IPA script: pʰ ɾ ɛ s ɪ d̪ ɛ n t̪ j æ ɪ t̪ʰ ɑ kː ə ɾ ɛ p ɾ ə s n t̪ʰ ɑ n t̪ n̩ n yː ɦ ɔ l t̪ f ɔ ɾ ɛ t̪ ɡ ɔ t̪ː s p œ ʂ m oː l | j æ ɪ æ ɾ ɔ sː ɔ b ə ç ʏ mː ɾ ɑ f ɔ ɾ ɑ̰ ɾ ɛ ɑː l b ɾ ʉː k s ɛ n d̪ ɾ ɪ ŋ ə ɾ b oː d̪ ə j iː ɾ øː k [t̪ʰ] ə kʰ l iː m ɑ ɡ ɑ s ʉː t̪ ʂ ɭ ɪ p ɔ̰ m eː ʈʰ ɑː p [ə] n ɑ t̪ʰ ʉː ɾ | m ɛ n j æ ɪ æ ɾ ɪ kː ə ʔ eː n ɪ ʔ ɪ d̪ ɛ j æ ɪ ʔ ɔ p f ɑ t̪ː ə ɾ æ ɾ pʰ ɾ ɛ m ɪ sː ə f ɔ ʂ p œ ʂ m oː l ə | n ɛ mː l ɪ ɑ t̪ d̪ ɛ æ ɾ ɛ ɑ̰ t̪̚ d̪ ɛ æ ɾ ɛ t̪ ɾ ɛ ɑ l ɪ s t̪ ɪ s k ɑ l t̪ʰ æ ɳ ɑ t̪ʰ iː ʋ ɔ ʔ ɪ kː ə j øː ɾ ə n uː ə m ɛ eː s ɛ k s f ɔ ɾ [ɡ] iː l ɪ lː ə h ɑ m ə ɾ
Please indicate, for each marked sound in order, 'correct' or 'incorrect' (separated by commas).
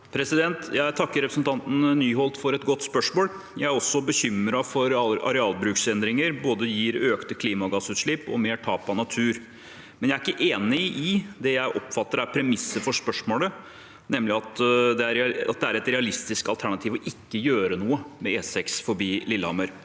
incorrect, incorrect, incorrect